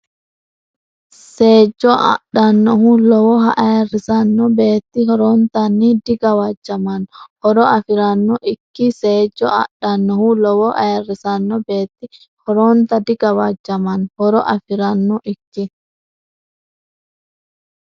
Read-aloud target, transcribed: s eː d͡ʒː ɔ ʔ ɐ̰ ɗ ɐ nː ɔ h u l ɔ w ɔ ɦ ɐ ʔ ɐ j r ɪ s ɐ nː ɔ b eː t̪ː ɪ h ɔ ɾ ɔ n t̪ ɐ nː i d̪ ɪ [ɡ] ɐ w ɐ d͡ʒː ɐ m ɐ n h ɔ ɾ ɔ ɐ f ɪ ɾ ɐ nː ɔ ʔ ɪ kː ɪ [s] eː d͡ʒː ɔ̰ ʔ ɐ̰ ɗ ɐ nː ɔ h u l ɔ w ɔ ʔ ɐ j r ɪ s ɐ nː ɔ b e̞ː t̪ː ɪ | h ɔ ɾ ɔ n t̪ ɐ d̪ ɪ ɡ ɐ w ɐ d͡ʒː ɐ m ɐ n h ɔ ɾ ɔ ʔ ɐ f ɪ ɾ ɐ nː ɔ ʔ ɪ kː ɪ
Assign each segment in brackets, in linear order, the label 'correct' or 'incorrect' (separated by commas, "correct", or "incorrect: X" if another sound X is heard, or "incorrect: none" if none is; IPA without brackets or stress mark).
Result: correct, correct